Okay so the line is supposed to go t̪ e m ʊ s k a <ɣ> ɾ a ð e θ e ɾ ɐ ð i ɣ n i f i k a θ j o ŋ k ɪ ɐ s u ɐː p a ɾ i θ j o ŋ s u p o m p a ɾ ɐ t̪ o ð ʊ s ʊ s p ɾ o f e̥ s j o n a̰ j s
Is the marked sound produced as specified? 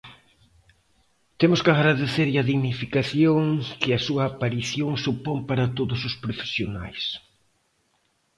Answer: yes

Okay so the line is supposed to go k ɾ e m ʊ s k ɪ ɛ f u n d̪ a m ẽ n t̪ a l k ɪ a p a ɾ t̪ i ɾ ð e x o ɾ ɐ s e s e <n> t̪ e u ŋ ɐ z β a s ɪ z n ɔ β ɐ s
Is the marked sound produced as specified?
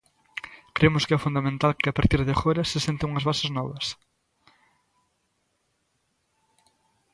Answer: yes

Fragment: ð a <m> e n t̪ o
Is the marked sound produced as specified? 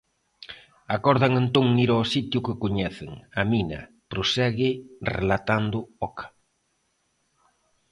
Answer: no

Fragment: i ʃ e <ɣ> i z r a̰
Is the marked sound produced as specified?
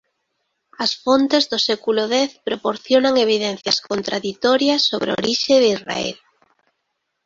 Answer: no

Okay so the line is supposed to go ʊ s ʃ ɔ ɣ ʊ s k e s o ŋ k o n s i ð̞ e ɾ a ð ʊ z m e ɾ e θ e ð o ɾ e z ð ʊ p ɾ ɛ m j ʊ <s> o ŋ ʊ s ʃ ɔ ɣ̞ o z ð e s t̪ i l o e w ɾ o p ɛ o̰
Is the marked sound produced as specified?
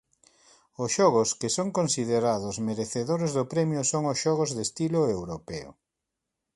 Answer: yes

